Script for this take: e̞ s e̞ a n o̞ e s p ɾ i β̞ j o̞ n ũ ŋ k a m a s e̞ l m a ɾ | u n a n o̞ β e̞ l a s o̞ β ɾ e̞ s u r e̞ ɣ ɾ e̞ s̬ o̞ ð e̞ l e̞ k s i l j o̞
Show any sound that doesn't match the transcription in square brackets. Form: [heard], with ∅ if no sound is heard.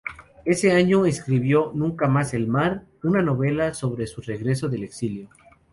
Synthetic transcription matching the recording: e̞ s e̞ a [ɲ] o̞ e s [k] ɾ i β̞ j o̞ n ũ ŋ k a m a s e̞ l m a ɾ | u n a n o̞ β e̞ l a s o̞ β ɾ e̞ s u r e̞ ɣ ɾ e̞ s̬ o̞ ð e̞ l e̞ k s i l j o̞